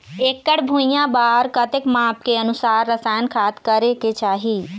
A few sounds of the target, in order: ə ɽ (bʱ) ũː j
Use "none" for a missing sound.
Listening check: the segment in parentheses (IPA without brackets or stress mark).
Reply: bʱ